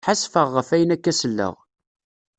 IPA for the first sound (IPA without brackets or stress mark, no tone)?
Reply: ħ